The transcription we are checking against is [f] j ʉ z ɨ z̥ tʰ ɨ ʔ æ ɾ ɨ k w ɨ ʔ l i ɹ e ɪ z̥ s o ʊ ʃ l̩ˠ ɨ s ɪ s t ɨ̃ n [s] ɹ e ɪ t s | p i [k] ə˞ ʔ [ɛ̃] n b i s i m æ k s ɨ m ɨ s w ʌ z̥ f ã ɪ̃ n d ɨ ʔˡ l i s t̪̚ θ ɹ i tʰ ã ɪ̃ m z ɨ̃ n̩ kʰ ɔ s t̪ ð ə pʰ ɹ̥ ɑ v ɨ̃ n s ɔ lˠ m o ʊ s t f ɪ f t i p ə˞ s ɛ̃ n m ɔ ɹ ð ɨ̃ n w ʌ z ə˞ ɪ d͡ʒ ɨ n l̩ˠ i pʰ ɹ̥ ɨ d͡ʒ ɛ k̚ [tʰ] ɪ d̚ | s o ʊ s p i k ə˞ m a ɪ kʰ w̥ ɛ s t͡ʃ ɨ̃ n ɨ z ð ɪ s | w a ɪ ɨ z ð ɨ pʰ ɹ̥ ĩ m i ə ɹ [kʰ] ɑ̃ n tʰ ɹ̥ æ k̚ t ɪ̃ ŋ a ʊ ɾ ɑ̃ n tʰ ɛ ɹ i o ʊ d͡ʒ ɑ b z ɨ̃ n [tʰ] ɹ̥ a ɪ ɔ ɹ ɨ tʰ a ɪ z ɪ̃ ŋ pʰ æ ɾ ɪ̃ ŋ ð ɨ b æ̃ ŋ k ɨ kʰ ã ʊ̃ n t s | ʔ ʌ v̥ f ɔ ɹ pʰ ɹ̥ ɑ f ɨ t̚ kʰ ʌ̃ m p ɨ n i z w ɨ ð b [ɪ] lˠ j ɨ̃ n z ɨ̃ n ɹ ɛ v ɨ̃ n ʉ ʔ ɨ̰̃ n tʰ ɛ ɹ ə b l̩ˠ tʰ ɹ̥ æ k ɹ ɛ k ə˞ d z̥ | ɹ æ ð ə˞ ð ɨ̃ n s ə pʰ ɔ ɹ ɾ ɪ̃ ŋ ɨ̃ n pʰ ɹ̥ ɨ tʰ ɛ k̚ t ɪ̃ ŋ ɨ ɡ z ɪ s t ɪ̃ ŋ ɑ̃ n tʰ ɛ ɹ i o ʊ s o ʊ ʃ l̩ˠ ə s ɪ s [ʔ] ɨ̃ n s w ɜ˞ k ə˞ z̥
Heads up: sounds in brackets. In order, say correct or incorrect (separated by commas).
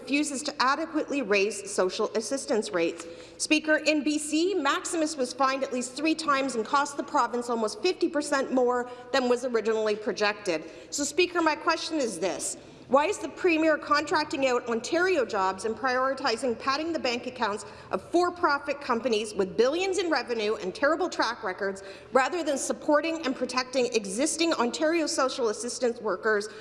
correct, correct, correct, correct, incorrect, correct, incorrect, correct, incorrect